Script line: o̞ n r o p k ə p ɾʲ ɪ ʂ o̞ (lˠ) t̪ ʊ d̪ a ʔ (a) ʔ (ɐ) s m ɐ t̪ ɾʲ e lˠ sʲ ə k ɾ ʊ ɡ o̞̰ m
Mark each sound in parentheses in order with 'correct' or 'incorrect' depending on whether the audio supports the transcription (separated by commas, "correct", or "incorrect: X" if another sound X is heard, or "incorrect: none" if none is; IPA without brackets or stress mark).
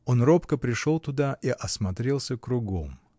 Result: correct, incorrect: i, correct